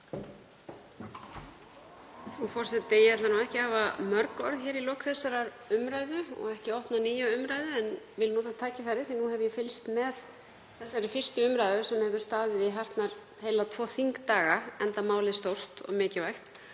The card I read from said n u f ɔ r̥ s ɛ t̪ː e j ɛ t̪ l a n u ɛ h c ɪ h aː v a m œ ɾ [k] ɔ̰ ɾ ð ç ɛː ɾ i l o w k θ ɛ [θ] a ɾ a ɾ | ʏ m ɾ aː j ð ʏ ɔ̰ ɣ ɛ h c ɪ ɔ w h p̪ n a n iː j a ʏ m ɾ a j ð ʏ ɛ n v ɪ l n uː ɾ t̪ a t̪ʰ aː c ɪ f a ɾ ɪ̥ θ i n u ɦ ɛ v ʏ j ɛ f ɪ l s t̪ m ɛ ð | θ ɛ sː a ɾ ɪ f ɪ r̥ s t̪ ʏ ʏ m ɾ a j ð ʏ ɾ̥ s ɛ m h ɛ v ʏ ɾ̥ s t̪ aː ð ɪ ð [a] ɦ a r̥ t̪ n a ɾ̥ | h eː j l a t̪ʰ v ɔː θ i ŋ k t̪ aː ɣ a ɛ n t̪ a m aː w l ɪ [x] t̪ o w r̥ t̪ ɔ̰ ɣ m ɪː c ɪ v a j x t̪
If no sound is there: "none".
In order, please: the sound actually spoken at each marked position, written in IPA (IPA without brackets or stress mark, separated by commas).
k, s, i, s